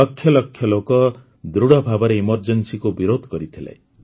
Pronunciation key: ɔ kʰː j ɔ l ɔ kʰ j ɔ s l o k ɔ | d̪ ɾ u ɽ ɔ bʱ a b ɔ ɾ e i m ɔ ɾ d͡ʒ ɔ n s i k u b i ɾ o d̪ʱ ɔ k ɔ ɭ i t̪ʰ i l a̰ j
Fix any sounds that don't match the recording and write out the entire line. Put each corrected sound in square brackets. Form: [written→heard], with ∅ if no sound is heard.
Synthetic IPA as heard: ɔ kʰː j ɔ l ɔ kʰ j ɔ [s→∅] l o k ɔ | d̪ ɾ u ɽ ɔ bʱ a b ɔ ɾ e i m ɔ ɾ d͡ʒ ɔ n s i k u b i ɾ o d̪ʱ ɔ k ɔ [ɭ→ɾ] i t̪ʰ i l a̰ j